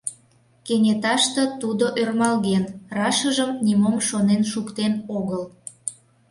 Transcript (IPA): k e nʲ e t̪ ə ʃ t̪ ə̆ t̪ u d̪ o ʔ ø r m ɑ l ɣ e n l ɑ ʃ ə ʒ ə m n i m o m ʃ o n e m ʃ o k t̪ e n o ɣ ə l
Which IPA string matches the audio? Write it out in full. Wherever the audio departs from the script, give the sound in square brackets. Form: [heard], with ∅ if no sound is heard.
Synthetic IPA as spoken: k e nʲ e t̪ [ɑ] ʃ t̪ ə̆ t̪ u d̪ o ʔ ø r m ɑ l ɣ e n [r] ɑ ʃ ə ʒ ə m n i m o m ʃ o n e [n] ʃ [u] k t̪ e n o ɣ ə l